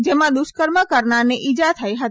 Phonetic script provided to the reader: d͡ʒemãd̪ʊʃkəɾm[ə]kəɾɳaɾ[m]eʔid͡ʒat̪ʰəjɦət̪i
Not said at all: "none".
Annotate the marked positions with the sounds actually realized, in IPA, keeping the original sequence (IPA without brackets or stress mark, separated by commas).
ə, n